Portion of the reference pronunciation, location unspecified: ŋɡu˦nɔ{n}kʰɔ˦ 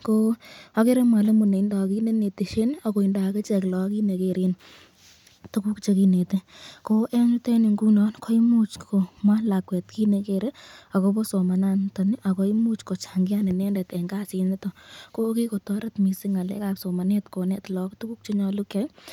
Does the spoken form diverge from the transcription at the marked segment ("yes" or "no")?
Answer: no